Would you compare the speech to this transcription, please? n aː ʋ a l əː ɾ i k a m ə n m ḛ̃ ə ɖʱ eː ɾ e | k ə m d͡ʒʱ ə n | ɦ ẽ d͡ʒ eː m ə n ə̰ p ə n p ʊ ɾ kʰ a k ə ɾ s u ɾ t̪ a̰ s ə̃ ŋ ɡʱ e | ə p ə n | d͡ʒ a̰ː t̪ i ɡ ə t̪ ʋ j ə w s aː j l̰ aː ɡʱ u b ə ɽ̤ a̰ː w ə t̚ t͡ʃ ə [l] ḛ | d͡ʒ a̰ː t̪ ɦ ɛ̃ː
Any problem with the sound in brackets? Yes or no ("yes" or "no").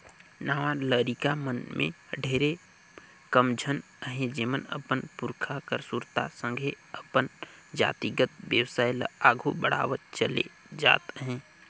no